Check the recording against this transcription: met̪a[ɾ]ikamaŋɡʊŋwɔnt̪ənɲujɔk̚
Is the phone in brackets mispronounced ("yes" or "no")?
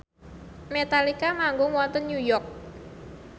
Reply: yes